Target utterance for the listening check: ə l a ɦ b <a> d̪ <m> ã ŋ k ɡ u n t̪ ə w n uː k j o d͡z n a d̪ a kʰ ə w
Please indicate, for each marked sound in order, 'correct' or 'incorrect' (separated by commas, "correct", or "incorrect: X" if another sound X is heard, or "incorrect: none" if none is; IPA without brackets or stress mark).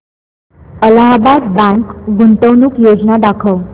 correct, incorrect: b